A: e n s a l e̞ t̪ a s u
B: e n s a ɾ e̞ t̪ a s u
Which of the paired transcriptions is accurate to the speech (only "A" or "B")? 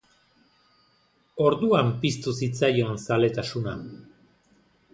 A